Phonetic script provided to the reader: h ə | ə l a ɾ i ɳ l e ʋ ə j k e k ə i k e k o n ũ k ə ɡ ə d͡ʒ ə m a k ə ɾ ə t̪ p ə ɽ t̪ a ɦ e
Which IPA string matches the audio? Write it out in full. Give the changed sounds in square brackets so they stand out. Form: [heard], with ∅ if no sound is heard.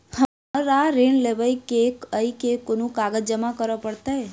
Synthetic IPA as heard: h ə | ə [ɾ] a ɾ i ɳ l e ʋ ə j k e k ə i k e k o n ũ k [a] ɡ ə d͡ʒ ə m a k ə ɾ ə [∅] p ə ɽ t̪ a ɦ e